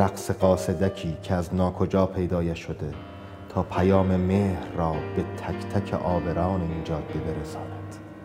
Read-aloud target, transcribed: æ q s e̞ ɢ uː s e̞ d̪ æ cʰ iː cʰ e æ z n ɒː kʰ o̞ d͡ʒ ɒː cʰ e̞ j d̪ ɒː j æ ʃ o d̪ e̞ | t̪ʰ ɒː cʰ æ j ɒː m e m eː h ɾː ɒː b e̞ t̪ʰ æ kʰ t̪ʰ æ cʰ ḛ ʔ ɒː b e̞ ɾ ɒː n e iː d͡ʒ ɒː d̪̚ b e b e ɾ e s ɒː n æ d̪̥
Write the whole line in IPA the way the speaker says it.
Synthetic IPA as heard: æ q s e̞ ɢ ɒː s e̞ d̪ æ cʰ iː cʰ e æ z n ɒː kʰ o̞ d͡ʒ ɒː pʰ e̞ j d̪ ɒː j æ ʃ o d̪ e̞ | t̪ʰ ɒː pʰ æ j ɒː m e m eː h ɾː ɒː b e̞ t̪ʰ æ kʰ t̪ʰ æ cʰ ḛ ʔ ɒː b e̞ ɾ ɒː n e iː d͡ʒ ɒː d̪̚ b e b e ɾ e s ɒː n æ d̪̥